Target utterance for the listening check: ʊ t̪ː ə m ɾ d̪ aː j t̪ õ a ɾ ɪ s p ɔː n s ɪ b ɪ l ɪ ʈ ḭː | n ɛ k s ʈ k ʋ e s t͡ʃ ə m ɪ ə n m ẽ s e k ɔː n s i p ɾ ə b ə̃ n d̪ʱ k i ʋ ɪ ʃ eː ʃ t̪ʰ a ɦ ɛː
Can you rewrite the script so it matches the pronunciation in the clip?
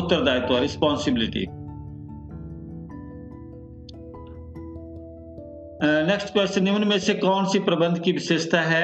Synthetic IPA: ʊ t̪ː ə ɾ d̪ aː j t̪ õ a ɾ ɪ s p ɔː n s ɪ b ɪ l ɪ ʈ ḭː | n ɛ k s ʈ k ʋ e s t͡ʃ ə n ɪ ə n m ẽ s e k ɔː n s i p ɾ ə b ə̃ n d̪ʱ k i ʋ ɪ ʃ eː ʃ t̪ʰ a ɦ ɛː